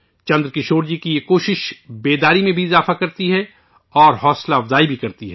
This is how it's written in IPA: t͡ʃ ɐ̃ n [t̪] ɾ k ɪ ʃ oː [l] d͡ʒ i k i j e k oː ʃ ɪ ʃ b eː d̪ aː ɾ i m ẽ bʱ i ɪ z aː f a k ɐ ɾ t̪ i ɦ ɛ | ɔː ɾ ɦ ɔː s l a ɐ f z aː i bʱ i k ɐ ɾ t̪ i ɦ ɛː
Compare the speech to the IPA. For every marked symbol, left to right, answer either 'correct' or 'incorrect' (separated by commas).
incorrect, incorrect